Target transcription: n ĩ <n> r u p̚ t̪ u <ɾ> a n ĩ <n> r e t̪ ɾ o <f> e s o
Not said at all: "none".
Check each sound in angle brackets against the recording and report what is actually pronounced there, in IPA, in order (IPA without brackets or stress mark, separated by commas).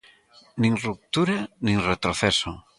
ŋ, ɾ, ŋ, θ